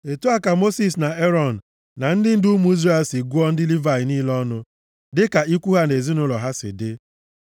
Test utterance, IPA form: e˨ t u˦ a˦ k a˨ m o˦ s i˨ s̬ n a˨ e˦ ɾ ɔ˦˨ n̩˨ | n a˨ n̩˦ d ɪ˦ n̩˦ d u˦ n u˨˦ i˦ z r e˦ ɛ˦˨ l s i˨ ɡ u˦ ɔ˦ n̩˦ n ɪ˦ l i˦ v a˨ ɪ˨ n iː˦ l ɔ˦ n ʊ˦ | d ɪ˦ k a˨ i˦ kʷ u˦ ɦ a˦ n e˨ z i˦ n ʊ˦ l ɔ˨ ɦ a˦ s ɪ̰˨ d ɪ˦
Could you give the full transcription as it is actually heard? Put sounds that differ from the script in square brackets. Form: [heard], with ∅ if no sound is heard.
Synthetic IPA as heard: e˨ t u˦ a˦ k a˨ m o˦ s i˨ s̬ n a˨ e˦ ɾ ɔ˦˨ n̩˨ | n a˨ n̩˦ d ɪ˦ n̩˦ d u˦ [m] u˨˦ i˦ z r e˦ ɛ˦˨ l s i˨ ɡ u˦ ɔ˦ n̩˦ [d] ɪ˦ l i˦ v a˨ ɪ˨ n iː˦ l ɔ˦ n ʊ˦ | d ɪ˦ k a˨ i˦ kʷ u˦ ɦ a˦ n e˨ z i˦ n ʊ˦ l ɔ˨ ɦ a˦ s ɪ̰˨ d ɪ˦